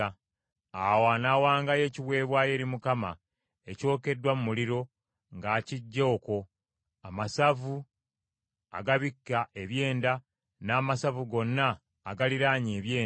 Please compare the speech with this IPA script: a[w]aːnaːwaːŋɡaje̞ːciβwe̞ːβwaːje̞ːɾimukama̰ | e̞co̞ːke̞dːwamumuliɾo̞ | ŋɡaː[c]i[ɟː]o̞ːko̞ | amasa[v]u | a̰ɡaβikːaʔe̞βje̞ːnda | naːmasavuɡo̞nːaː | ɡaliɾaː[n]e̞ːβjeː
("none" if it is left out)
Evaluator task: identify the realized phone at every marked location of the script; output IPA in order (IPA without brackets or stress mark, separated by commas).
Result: w, c, ɟː, v, ɲ